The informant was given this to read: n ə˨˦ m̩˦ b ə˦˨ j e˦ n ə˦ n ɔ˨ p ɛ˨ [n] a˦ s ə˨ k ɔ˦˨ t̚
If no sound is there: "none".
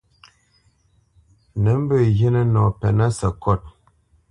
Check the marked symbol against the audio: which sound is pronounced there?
n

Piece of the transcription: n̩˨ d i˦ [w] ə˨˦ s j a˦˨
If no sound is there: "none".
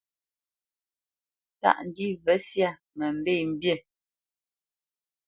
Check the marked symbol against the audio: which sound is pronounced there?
v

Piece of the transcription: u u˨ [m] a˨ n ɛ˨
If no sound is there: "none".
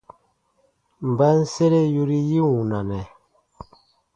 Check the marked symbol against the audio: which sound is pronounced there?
n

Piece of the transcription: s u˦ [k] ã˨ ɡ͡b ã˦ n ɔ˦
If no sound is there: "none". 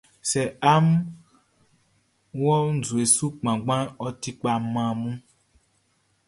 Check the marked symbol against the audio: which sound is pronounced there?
k͡p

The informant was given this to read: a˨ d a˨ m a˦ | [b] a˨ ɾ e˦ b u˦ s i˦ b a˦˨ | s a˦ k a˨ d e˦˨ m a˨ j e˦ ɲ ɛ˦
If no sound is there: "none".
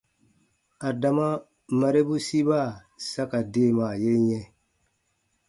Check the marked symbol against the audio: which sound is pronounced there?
m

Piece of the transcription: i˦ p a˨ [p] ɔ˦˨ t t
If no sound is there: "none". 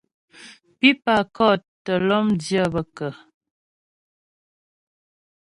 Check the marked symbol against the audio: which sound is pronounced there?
k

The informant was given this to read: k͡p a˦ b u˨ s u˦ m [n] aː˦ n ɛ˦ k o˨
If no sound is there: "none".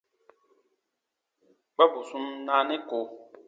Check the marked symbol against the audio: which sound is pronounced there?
n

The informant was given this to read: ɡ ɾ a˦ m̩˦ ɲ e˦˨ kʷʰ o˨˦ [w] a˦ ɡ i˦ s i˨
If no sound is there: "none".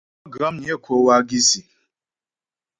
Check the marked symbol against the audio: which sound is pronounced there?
w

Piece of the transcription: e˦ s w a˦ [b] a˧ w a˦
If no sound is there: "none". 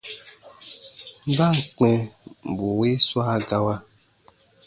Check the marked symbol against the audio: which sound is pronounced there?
ɡ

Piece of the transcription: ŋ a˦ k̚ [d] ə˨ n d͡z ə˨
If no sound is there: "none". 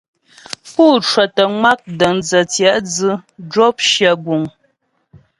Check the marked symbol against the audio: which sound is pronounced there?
d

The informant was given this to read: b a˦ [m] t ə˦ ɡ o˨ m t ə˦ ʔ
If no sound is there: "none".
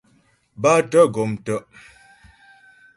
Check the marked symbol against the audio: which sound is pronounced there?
none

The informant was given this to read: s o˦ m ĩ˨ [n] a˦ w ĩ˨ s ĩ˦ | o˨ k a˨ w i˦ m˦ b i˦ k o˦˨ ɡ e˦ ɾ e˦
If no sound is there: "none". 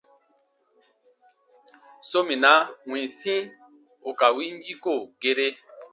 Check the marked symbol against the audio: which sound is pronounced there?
n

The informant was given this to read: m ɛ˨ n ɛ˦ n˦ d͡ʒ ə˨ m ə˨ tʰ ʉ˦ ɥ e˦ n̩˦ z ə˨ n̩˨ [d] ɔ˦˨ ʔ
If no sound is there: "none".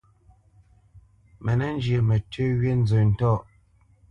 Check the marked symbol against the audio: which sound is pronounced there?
t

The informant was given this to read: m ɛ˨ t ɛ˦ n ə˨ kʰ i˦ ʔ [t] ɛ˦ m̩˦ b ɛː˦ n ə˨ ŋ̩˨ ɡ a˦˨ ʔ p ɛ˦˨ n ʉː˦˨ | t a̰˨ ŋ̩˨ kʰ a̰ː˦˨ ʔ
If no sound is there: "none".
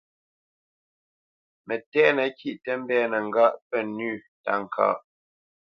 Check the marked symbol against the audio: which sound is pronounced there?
t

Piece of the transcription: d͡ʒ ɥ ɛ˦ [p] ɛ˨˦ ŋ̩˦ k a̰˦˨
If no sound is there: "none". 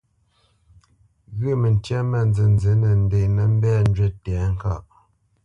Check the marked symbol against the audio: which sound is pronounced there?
t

